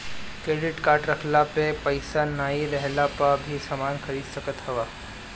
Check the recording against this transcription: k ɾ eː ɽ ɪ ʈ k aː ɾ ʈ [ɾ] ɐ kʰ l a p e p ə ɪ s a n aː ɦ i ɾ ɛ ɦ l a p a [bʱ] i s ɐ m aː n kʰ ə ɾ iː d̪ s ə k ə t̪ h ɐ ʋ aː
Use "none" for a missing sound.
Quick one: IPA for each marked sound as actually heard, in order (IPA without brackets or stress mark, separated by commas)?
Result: ɾ, bʱ